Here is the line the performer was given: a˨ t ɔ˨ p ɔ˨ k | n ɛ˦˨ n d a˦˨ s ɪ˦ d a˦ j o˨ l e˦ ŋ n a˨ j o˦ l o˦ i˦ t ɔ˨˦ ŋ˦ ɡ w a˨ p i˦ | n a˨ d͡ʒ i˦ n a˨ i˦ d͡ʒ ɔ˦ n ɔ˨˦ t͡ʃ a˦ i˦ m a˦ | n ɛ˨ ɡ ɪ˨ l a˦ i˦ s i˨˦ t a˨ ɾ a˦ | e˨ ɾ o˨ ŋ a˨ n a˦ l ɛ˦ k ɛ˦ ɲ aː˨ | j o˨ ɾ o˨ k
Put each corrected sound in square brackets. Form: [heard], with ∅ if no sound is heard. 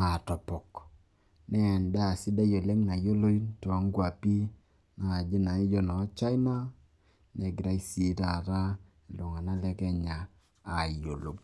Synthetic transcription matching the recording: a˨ t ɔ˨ p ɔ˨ k | n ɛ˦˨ n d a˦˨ s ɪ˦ d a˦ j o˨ l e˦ ŋ n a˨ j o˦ l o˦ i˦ t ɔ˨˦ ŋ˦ ɡ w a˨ p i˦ | n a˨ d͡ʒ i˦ n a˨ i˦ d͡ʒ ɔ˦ n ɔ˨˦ t͡ʃ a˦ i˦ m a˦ | n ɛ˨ ɡ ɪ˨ [ɾ] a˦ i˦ s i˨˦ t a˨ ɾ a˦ | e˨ [l] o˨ ŋ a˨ n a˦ l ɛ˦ k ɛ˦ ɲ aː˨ | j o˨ [l] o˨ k